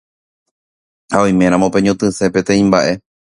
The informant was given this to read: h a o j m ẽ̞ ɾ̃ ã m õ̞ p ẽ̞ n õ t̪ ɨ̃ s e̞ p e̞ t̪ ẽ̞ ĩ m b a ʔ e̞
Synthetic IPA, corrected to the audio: h a o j m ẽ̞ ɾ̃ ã m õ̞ p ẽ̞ ɲ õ t̪ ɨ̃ s e̞ p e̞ t̪ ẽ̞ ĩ m b a ʔ e̞